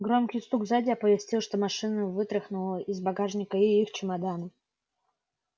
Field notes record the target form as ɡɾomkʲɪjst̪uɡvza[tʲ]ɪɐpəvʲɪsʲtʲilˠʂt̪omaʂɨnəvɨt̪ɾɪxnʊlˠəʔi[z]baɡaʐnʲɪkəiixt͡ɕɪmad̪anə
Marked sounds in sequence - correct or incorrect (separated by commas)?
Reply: incorrect, correct